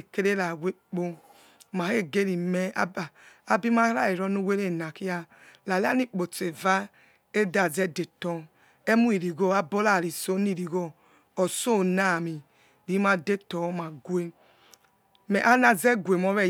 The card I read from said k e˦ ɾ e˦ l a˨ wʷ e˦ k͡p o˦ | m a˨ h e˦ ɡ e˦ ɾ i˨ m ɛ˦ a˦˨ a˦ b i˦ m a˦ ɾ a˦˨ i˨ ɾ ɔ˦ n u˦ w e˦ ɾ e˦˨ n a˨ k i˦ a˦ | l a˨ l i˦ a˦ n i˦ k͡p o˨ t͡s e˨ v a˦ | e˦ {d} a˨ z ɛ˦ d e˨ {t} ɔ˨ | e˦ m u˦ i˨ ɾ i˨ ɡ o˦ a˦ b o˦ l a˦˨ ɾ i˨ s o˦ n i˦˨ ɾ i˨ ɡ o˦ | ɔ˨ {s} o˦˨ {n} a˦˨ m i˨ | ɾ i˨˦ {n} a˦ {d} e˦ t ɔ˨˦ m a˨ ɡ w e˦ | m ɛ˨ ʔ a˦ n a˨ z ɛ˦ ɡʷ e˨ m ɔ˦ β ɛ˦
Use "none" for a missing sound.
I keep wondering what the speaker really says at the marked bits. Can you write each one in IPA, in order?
d, t, s, n, m, d

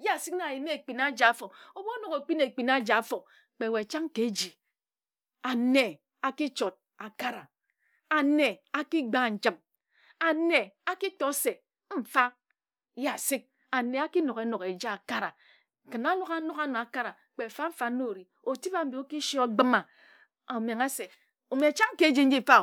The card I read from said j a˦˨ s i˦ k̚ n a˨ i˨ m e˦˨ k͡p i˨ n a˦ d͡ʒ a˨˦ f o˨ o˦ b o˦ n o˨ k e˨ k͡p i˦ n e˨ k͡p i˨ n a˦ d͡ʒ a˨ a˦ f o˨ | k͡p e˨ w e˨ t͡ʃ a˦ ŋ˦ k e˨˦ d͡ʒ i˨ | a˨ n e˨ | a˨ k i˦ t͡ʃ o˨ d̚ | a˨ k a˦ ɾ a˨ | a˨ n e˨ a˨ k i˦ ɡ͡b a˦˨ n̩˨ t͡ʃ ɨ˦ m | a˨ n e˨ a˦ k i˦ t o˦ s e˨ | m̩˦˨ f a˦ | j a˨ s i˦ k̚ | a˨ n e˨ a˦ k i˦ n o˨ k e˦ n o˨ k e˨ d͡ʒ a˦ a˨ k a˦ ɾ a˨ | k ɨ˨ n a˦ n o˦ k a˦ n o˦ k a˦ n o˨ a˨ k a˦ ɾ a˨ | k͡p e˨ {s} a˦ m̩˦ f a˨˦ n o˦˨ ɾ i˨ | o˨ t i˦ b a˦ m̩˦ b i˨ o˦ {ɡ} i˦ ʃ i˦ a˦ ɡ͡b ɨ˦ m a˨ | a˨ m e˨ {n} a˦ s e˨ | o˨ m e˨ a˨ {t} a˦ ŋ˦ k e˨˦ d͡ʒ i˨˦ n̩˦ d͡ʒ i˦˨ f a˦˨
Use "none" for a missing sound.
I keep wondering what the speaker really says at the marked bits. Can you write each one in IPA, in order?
f, k, ŋ, t͡ʃ

